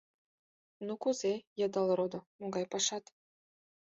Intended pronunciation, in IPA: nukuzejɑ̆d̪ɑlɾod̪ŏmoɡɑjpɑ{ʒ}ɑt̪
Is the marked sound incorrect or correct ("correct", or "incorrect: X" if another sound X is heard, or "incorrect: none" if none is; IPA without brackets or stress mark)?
incorrect: ʃ